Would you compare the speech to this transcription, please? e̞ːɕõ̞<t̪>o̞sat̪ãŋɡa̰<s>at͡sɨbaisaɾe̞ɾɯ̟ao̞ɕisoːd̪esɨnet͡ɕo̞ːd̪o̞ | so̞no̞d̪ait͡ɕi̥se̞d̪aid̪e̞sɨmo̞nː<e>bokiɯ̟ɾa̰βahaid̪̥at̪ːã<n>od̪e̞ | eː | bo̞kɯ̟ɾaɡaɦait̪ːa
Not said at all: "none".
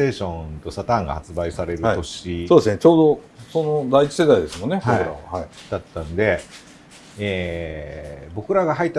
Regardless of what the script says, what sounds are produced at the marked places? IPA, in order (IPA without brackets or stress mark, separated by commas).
t̪, h, e, n